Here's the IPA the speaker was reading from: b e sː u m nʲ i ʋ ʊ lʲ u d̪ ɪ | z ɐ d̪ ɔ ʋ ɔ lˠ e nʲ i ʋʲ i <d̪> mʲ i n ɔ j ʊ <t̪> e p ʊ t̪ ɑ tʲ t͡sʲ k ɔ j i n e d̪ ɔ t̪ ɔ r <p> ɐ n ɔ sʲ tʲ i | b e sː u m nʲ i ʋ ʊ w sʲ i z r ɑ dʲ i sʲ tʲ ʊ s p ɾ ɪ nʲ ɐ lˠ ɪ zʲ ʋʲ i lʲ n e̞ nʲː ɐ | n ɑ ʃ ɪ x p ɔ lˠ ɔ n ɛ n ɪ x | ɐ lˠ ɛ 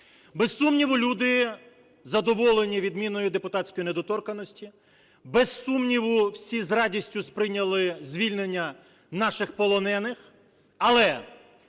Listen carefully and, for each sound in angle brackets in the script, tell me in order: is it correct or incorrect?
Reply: correct, incorrect: d̪, incorrect: k

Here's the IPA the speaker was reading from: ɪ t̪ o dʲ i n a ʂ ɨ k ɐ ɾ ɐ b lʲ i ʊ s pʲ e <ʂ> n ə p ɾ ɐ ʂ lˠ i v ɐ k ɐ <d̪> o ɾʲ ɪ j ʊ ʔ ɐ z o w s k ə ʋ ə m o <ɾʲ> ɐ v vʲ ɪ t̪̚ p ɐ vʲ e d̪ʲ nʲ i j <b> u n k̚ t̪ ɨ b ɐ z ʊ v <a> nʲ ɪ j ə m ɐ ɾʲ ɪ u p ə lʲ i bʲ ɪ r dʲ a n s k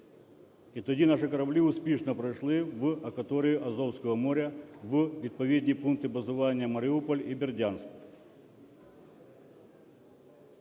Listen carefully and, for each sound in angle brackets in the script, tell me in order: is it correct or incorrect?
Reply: correct, incorrect: t̪, correct, incorrect: p, correct

